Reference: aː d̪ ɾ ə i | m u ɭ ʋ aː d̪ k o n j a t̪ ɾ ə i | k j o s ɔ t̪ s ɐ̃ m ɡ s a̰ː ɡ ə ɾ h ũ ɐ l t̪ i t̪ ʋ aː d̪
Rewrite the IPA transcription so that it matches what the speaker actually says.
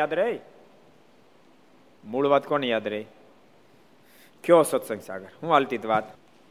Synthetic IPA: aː d̪ ɾ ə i | m u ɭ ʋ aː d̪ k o n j a d̪ ɾ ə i | k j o s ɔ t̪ s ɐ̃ ŋ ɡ s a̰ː ɡ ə ɾ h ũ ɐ l t̪ i t̪ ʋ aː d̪